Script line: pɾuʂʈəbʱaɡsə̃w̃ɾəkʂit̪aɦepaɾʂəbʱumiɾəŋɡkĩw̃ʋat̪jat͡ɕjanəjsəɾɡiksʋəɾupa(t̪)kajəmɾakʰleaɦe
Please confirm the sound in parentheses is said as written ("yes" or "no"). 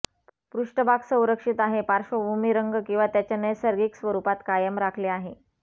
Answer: yes